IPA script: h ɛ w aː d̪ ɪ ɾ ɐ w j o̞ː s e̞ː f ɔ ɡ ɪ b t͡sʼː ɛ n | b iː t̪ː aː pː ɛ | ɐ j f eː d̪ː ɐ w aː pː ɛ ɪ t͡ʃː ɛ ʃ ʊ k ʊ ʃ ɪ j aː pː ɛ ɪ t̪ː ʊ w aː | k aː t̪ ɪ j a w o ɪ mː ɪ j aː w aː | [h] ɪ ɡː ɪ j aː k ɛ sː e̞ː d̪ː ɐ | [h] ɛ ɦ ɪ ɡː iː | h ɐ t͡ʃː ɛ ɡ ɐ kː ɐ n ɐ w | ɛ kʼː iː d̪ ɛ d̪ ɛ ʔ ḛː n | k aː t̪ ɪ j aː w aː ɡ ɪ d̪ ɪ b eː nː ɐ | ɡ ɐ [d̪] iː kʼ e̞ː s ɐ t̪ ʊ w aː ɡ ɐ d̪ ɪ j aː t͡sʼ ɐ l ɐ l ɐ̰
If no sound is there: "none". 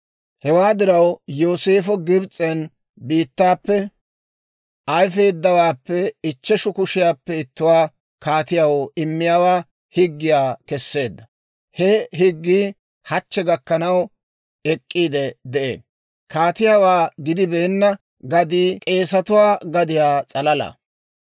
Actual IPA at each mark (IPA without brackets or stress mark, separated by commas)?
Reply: h, h, d̪